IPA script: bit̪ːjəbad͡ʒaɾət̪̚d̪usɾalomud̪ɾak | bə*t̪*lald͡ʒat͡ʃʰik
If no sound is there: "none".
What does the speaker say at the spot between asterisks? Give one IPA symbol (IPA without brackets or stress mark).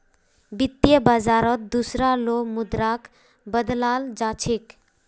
d̪